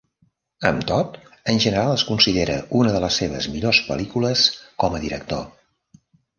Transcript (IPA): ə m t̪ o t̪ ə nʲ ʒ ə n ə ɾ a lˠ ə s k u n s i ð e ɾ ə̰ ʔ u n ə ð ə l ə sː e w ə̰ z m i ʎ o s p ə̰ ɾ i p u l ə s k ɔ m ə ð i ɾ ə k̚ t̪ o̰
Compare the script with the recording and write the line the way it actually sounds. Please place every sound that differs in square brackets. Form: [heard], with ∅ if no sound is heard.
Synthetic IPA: ə m t̪ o t̪ ə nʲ ʒ ə n ə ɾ a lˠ ə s k u n s i ð e ɾ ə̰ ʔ u n ə ð ə l ə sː e [β] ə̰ z m i ʎ o s p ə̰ [l] i [k] u l ə s k ɔ m ə ð i ɾ ə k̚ t̪ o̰